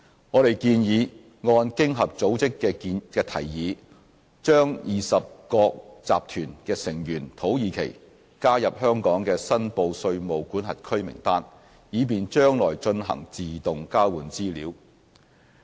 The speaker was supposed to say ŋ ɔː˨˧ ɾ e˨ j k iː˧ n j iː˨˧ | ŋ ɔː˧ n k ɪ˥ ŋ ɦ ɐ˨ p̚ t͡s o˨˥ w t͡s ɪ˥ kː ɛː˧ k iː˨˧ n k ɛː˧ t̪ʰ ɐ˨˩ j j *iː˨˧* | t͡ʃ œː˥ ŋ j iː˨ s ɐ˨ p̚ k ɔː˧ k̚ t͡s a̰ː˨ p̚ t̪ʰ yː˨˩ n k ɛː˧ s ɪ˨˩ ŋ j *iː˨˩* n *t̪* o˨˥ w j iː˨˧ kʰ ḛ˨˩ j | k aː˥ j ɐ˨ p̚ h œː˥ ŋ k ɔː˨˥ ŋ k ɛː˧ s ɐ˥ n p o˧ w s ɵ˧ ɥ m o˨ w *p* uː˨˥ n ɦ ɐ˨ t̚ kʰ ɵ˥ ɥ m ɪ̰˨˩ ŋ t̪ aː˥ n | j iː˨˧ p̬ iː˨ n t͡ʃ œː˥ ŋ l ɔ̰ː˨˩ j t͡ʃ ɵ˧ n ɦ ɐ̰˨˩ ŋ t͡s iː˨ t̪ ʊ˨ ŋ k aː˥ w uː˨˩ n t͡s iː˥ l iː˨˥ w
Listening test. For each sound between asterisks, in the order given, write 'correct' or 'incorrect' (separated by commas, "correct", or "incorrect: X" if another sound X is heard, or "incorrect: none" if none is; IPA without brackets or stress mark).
correct, incorrect: yː˨˩, incorrect: t̪ʰ, incorrect: k